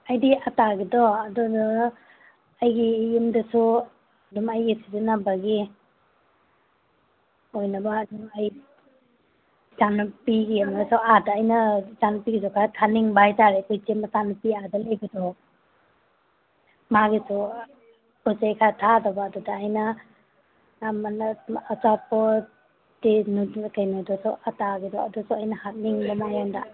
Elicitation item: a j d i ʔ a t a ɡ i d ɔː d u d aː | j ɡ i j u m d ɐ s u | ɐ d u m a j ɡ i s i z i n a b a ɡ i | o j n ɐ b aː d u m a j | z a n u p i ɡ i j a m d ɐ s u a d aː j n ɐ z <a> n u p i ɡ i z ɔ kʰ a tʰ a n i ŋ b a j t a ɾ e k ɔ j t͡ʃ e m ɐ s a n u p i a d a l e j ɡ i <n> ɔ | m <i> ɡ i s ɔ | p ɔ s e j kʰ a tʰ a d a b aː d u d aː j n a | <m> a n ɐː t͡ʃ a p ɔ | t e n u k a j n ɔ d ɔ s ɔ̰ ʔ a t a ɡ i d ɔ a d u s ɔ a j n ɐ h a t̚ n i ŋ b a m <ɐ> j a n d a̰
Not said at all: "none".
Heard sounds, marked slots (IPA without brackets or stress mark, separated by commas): a, d, a, m, a